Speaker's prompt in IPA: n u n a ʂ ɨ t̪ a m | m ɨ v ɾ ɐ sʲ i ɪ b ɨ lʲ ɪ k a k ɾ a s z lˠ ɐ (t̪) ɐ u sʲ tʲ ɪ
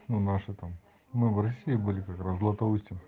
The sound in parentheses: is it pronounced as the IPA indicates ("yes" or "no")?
yes